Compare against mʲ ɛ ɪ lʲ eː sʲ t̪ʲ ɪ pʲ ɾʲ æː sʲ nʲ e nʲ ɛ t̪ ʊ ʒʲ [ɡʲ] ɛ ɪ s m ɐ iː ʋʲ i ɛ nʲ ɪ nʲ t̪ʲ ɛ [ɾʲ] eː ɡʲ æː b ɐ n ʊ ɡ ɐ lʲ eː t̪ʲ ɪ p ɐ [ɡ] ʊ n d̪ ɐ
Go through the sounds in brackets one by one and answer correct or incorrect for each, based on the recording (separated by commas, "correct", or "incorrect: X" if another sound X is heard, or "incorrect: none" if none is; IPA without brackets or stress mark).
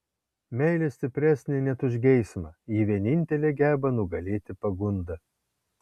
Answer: correct, incorrect: lʲ, correct